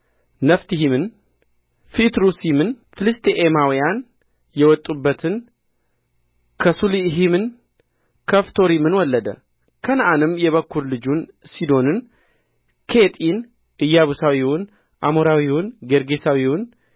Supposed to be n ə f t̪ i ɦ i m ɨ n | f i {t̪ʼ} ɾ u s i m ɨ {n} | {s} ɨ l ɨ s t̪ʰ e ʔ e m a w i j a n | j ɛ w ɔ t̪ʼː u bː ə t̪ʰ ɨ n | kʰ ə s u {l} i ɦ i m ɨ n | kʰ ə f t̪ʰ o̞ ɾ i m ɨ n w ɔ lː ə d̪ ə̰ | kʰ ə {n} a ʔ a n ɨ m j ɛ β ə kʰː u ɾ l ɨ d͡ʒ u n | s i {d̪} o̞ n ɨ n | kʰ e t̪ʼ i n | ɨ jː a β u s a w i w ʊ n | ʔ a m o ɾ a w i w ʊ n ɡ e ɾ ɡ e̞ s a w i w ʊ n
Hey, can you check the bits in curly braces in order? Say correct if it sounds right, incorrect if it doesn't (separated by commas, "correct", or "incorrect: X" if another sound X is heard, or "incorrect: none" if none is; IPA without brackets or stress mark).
incorrect: t̪, correct, incorrect: f, correct, correct, correct